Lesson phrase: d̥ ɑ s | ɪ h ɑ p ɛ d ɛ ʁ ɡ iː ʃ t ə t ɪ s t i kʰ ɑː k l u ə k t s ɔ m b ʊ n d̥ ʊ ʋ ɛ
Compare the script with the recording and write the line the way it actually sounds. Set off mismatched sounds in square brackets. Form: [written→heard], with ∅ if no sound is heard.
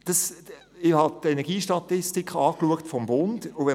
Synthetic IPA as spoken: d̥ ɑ s | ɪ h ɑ [p→t] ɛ [d→n] ɛ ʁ ɡ iː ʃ t [ə→ɑ] t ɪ s t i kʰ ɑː k l u ə k t [s→f] ɔ m b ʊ n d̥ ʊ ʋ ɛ